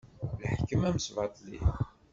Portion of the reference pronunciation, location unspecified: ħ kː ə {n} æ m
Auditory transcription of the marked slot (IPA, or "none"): m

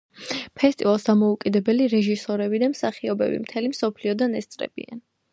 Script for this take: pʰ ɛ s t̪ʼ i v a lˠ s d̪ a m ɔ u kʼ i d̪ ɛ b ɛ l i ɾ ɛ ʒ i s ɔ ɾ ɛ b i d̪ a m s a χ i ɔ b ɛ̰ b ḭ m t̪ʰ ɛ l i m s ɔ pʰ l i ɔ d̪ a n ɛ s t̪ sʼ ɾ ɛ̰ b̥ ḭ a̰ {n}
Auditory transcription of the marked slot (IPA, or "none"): n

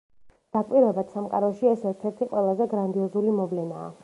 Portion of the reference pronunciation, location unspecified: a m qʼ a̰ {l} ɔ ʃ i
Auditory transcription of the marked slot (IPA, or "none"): ɾ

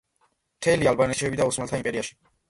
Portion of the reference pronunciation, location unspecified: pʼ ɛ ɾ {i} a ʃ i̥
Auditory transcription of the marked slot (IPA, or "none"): i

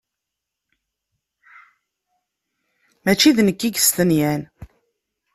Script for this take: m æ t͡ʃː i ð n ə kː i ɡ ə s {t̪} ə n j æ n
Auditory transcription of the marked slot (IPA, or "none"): t̪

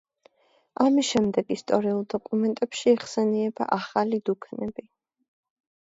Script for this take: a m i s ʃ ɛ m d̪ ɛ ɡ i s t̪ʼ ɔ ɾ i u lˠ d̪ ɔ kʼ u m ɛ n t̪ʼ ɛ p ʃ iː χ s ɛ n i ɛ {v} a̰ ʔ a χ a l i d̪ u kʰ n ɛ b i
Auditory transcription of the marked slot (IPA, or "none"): b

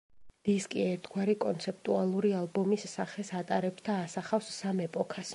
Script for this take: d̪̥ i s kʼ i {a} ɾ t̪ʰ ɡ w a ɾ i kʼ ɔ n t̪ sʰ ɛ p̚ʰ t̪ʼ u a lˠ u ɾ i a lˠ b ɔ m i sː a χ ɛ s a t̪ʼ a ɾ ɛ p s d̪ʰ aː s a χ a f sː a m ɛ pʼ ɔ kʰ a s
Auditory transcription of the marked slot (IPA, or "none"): ɛ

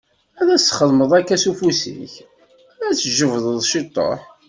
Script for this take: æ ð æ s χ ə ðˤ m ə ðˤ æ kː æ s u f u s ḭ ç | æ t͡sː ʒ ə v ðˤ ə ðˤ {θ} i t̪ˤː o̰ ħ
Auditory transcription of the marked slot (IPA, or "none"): ʃ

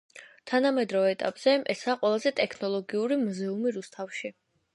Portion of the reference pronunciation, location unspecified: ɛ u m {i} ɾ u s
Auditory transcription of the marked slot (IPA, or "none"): i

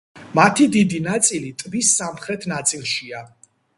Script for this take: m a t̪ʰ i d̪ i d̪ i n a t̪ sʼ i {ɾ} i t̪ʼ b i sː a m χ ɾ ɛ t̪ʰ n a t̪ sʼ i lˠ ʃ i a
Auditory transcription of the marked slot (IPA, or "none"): l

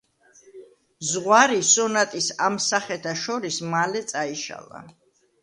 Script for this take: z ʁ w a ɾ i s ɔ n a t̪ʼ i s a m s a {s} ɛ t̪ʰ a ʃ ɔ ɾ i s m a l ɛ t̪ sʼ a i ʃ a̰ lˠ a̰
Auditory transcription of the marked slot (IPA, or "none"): χ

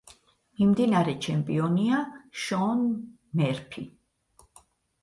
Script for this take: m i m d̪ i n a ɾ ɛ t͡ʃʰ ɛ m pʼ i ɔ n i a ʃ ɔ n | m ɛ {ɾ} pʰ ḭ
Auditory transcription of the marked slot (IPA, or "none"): ɾ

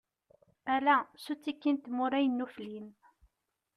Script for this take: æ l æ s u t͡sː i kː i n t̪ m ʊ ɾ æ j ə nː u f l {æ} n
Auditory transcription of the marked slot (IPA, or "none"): i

